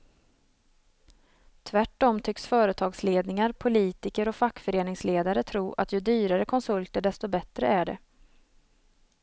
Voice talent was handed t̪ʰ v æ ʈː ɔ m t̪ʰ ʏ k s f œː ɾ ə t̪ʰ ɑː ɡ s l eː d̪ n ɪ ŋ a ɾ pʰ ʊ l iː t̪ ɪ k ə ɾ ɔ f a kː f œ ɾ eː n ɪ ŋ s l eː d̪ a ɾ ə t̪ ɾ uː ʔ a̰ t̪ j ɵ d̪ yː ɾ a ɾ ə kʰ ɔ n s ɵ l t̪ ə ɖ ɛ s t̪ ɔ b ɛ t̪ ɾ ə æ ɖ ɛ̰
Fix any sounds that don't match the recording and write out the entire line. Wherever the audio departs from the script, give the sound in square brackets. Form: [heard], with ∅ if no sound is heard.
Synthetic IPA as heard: t̪ʰ v æ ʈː ɔ m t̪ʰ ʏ k s f œː ɾ ə t̪ʰ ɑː ɡ s l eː d̪ n ɪ ŋ a ɾ pʰ ʊ l iː t̪ ɪ k ə ɾ ɔ f a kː f œ ɾ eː n ɪ ŋ s l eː d̪ a ɾ ə [t̪ʰ] ɾ uː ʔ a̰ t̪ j ɵ d̪ yː ɾ a ɾ ə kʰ ɔ n s ɵ l t̪ ə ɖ ɛ s t̪ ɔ b ɛ t̪ ɾ ə æ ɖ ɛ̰